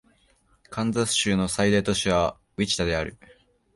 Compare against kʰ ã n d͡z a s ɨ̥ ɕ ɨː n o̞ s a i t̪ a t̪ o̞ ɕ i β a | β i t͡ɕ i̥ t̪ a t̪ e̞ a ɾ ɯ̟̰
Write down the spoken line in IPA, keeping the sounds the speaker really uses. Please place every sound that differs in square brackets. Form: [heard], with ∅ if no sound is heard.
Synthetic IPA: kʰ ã n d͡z a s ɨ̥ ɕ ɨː n o̞ s a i [d̪] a t̪ o̞ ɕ i β a | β i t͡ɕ i̥ t̪ a [d̪] e̞ a ɾ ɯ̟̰